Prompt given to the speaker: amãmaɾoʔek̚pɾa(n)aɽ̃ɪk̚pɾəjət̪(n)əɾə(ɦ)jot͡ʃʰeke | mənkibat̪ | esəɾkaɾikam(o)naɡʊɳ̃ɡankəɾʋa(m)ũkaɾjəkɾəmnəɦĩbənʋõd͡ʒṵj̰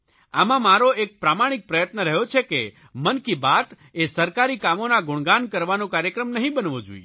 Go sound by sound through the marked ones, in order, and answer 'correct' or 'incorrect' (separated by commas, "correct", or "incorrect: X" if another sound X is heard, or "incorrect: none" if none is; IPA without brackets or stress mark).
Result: incorrect: m, correct, correct, correct, incorrect: n